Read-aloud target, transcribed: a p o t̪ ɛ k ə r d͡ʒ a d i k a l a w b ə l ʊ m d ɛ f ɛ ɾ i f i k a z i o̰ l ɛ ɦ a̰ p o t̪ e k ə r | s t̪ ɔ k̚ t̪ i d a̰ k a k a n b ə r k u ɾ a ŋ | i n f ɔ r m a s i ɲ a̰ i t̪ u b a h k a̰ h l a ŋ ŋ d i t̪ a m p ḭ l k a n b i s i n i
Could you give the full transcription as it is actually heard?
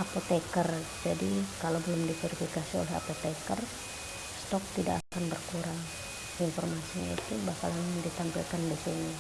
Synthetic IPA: a p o t̪ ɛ k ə r d͡ʒ a d i k a l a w b ə l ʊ m d i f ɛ ɾ i f i k a s i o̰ l ɛ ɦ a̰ p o t̪ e k ə r | s t̪ ɔ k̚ t̪ i d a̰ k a k a n b ə r k u ɾ a ŋ | i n f ɔ r m a s i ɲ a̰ i t̪ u b a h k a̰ l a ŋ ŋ d i t̪ a m p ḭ l k a n d i s i n i